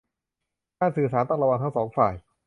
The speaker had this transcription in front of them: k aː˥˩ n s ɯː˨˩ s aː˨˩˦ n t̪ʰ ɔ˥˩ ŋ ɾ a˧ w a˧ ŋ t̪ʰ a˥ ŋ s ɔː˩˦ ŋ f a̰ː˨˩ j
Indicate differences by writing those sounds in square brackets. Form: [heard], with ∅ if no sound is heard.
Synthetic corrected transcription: k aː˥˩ n s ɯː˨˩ s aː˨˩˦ n [t̪] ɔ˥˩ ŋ ɾ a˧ w a˧ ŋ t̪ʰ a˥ ŋ s ɔː˩˦ ŋ f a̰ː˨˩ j